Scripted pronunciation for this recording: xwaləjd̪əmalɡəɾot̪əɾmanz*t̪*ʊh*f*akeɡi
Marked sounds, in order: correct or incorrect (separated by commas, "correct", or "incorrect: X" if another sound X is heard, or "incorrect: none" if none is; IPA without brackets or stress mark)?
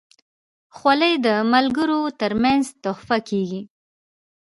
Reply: correct, correct